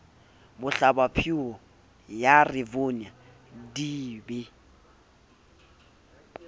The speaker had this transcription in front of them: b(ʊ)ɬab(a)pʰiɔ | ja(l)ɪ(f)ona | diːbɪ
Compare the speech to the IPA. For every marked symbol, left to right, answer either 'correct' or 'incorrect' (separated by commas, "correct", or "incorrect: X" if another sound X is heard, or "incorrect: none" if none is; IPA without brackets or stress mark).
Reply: correct, correct, incorrect: r, incorrect: v